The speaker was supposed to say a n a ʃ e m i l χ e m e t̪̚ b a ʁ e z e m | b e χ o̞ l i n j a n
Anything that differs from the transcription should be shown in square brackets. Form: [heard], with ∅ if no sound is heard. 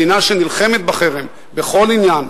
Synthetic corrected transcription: [i] n a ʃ e [n] i l χ e m e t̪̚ b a [χ] e [ʁ] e m | b e χ o̞ l i n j a n